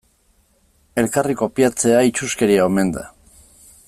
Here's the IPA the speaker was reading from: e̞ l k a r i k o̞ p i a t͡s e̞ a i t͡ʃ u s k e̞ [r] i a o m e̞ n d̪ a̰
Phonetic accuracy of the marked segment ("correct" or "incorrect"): incorrect